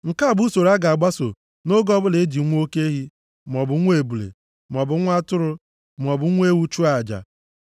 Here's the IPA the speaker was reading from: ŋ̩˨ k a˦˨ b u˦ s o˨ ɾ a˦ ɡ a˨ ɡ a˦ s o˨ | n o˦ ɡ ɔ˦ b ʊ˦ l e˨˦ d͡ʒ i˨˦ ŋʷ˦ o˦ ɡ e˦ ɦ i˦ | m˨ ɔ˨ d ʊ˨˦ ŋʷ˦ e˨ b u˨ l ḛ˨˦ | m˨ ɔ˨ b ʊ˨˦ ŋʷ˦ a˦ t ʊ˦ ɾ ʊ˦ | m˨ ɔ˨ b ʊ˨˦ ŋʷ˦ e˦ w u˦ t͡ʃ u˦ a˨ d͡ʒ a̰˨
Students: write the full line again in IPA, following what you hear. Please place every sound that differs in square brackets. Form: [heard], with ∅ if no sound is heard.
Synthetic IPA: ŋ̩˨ k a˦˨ b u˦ s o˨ ɾ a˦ ɡ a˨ [ɡ͡b] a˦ s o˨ | n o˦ ɡ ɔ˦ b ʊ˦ l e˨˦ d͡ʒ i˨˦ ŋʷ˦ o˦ [k] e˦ ɦ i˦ | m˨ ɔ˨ [b] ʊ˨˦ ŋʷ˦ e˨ b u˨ l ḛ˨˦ | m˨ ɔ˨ b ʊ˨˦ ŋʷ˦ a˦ t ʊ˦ ɾ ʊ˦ | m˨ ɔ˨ b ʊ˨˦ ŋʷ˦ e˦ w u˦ t͡ʃ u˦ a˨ d͡ʒ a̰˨